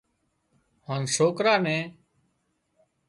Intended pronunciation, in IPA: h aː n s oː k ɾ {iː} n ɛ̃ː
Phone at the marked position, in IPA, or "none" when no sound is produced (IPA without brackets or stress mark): aː